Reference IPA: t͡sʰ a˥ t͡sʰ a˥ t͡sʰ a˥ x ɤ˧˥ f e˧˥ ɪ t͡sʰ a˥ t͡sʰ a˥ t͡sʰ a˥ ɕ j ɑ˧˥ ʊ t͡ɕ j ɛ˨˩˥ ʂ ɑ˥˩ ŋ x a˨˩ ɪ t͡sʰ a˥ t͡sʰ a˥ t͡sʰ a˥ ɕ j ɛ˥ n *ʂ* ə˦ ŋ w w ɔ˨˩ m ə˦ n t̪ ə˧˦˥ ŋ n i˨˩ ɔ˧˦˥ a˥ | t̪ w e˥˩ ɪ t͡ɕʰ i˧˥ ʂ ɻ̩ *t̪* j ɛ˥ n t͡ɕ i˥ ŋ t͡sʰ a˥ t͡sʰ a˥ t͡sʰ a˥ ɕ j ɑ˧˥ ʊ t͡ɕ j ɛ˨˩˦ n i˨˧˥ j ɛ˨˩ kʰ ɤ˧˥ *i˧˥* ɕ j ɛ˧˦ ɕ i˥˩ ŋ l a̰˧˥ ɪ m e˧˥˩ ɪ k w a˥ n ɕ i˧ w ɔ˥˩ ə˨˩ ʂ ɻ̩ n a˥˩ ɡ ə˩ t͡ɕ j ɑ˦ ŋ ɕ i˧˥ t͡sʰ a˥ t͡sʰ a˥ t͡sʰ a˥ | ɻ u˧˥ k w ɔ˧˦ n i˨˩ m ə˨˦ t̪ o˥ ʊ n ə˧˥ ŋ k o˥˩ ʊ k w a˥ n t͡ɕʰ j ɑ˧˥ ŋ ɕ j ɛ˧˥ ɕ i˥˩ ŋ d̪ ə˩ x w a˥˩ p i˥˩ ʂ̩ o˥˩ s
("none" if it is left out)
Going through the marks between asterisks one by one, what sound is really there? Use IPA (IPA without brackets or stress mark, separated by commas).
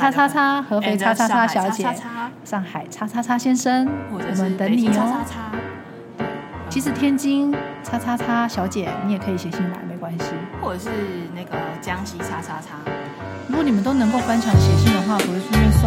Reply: ʂ, t̪ʰ, i˨˩